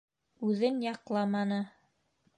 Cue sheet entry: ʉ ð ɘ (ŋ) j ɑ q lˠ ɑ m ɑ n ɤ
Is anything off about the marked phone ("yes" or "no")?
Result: yes